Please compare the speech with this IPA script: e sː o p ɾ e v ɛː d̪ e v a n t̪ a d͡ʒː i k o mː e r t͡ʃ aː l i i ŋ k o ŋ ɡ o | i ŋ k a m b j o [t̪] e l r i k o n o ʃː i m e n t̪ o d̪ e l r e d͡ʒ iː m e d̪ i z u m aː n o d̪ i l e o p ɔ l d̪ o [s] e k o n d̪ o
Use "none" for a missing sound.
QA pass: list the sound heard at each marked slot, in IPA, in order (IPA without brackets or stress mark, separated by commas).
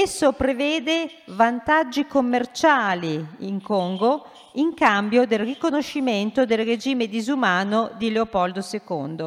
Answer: d̪, s